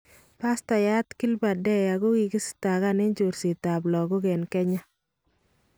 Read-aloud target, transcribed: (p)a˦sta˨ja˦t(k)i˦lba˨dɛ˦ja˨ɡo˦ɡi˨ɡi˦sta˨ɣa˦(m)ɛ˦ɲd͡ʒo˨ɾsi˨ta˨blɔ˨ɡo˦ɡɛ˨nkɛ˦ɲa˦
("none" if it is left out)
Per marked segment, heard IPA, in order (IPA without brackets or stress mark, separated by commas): p, k, n